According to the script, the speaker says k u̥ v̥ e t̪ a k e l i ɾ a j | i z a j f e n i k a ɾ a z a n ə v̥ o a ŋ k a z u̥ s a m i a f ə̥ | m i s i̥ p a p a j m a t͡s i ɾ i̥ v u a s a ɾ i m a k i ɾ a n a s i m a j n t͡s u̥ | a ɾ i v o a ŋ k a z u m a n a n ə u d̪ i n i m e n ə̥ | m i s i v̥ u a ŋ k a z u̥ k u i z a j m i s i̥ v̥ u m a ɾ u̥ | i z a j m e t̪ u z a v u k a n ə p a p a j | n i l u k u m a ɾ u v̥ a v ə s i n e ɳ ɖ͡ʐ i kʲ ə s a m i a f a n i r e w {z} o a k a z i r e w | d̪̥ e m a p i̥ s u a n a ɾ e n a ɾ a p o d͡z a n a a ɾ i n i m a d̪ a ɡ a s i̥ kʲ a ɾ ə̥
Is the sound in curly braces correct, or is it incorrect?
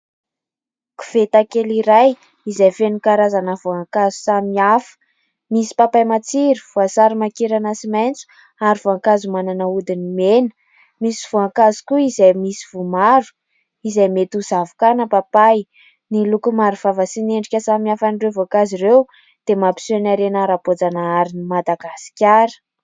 incorrect